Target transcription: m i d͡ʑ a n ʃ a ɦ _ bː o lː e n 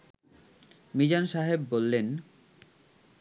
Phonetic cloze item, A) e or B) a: A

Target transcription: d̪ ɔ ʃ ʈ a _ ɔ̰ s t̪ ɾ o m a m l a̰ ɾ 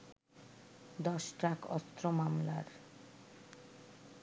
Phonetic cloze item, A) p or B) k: B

